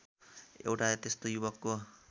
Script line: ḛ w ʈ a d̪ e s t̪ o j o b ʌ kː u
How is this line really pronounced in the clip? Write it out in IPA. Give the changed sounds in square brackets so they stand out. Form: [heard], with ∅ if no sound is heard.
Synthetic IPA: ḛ w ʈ a [t̪] e s t̪ o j [u] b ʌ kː [o]